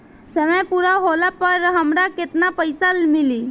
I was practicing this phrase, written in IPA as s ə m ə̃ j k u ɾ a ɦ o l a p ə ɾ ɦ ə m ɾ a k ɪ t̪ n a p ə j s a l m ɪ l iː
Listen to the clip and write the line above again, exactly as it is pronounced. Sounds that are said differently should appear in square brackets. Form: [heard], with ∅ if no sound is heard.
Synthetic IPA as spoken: s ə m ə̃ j [p] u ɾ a ɦ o l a p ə ɾ ɦ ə m ɾ a k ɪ t̪ n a p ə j s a l m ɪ l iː